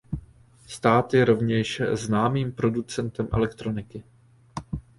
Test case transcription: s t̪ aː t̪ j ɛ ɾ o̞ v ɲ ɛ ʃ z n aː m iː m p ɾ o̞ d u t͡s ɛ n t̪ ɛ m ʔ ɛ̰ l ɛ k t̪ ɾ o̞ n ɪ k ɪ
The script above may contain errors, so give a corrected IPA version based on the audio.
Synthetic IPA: s t̪ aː t̪ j ɛ ɾ o̞ v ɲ ɛ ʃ z n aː m iː m p ɾ o̞ d u t͡s ɛ n t̪ ɛ m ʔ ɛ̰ l ɛ k t̪ ɾ o̞ n ɪ k ɪ